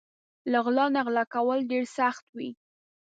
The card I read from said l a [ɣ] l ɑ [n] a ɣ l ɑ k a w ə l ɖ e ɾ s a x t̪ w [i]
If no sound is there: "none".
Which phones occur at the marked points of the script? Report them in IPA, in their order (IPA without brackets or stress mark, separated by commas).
ɣ, n, i